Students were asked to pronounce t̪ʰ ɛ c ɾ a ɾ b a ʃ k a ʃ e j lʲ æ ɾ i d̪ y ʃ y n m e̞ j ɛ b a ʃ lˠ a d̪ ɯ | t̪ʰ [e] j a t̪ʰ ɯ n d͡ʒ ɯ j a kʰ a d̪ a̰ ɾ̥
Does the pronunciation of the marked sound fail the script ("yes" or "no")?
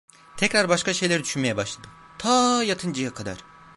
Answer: yes